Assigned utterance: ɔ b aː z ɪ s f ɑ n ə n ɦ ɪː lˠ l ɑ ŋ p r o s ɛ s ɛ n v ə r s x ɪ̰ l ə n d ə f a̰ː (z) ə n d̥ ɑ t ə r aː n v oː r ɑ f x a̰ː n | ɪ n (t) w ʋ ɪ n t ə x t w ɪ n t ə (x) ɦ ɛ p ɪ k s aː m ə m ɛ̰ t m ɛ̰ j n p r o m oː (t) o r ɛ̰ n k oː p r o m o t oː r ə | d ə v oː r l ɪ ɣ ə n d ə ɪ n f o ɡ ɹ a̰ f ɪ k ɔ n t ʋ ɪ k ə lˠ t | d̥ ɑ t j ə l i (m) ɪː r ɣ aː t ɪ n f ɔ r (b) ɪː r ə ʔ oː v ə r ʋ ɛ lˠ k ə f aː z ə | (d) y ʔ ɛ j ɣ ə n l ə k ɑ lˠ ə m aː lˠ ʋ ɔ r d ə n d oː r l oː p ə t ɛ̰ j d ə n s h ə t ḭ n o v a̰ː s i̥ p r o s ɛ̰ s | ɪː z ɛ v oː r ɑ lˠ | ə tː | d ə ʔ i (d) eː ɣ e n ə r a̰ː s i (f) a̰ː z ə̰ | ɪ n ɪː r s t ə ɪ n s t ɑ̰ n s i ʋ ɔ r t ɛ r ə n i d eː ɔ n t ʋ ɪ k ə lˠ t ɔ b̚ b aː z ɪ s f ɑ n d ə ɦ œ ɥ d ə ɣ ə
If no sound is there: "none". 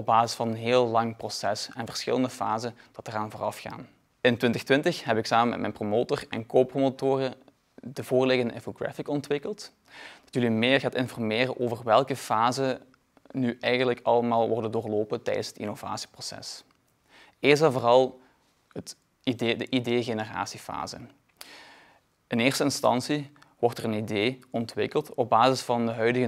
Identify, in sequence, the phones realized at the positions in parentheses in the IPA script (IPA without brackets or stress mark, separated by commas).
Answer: z, t, x, t, m, m, n, d, f